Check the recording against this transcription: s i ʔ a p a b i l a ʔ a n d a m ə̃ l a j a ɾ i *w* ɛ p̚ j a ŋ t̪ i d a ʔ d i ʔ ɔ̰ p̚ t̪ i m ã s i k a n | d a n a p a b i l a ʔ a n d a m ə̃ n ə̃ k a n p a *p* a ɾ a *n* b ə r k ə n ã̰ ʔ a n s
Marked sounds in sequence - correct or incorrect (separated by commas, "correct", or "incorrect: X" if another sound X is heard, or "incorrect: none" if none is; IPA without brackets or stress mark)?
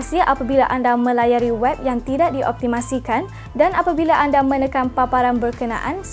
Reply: correct, correct, correct